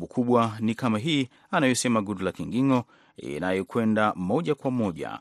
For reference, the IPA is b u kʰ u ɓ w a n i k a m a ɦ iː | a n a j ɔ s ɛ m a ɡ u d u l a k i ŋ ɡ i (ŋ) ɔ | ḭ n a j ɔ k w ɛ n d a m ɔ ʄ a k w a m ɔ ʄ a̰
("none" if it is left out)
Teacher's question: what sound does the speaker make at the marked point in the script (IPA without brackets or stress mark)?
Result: ŋ